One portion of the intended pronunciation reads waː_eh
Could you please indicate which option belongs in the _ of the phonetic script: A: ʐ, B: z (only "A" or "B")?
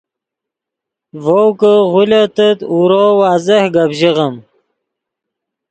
B